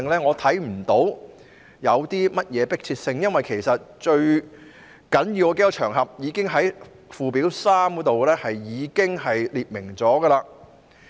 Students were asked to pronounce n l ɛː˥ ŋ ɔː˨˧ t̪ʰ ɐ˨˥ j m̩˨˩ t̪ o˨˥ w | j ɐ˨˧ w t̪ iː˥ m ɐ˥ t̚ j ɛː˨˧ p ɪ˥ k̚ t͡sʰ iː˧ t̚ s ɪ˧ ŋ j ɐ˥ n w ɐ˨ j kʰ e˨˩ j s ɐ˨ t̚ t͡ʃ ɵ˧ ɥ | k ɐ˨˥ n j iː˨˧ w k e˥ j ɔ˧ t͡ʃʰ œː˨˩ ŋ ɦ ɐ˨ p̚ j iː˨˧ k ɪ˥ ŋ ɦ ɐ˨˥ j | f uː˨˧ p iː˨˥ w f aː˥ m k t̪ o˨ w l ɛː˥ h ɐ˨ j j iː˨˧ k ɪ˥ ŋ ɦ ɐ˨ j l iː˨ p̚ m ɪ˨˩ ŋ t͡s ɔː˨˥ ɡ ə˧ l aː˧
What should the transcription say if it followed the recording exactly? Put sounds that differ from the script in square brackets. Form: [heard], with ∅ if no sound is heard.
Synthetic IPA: [ŋ] l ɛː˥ ŋ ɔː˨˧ t̪ʰ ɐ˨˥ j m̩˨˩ t̪ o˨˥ w | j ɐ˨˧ w t̪ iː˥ m ɐ˥ t̚ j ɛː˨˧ p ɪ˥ k̚ t͡sʰ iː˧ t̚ s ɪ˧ ŋ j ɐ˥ n w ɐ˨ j kʰ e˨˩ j s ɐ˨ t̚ t͡ʃ ɵ˧ ɥ | k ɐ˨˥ n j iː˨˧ w k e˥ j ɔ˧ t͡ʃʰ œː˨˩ ŋ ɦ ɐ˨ p̚ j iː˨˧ k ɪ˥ ŋ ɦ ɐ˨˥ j | f uː˨˧ p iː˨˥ w [s] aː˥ m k t̪ o˨ w l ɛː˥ h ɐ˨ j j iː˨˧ k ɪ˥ ŋ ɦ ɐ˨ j l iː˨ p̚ m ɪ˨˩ ŋ t͡s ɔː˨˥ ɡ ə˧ l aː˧